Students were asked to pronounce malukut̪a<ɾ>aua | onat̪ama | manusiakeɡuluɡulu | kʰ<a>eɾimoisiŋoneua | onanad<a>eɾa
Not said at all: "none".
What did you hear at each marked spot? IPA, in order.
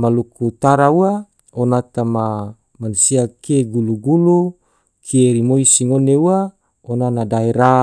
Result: ɾ, i, a

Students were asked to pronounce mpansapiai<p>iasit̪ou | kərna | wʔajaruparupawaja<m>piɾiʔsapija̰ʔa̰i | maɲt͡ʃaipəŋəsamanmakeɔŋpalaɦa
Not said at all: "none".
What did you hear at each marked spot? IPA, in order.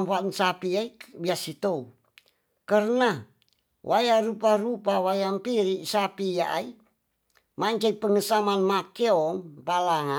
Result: b, m

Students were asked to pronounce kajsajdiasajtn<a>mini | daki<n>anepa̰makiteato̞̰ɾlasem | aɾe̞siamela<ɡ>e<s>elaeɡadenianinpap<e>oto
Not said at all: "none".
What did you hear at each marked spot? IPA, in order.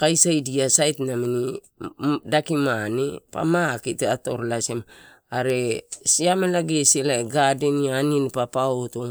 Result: a, m, ɡ, s, a

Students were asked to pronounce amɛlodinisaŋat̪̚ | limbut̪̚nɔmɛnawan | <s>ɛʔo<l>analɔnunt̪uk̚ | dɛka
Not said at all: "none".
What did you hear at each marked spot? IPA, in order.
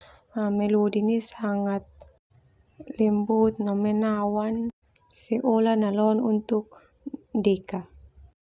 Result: s, l

